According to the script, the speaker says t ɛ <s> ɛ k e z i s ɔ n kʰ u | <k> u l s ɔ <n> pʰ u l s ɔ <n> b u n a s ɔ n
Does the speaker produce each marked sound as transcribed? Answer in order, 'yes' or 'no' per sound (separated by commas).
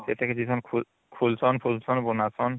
no, no, yes, yes